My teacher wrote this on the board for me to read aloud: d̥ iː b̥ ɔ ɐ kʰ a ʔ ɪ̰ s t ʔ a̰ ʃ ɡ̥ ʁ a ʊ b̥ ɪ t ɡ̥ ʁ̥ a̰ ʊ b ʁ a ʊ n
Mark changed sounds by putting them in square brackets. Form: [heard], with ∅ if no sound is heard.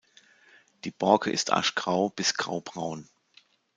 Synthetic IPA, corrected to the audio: d̥ iː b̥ ɔ ɐ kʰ [ə] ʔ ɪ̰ s t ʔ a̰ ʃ ɡ̥ ʁ a ʊ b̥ ɪ [s] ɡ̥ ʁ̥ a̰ ʊ b ʁ a ʊ n